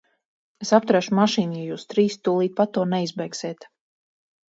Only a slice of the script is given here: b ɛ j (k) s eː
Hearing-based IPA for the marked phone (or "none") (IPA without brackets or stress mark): k